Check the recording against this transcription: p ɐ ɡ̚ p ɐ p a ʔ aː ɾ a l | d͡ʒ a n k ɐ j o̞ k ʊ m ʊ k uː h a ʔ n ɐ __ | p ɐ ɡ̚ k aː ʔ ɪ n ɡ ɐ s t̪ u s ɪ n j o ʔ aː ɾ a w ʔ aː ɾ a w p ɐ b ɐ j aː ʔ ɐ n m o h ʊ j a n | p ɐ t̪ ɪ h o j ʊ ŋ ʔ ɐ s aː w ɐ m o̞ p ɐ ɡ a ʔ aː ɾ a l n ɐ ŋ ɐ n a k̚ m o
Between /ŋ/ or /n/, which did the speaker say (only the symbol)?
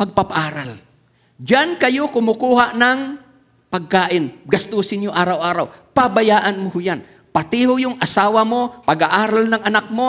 ŋ